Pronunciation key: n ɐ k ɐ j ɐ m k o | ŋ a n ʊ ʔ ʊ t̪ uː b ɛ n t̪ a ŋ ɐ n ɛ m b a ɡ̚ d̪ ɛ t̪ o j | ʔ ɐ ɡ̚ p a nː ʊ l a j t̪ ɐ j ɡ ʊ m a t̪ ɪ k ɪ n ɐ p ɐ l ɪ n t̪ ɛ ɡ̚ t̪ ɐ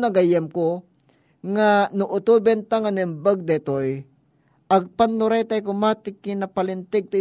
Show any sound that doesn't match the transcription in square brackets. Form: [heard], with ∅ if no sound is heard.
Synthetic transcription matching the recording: n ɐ [ɡ] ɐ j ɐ m k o | ŋ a n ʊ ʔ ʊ t̪ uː b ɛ n t̪ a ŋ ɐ n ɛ m b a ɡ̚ d̪ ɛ t̪ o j | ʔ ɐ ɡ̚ p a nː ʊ [ɾ] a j t̪ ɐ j [k] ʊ m a t̪ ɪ k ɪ n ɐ p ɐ l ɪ n t̪ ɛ ɡ̚ t̪ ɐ